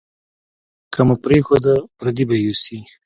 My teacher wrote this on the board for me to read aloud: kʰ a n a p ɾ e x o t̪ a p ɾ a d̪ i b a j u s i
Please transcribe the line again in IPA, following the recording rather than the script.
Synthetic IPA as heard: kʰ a m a p ɾ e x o d̪ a p ɾ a d̪ i b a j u s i